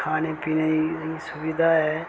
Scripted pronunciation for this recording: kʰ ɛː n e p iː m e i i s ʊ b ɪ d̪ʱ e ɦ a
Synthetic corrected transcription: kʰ aː n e p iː n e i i s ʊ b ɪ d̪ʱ a ɦ ɛ